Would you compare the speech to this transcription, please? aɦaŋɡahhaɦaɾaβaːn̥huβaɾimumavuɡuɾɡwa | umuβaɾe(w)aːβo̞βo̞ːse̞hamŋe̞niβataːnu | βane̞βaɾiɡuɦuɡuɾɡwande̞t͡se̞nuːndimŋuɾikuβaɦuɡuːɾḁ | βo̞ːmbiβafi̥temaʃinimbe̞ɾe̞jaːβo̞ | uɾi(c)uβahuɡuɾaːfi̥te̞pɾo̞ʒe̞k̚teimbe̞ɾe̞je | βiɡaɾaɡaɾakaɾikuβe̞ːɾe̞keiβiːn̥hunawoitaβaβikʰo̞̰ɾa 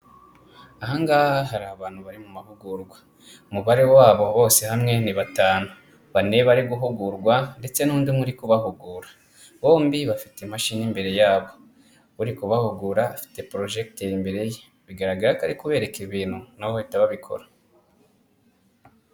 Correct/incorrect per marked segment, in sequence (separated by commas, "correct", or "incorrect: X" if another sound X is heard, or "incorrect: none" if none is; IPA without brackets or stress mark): correct, incorrect: k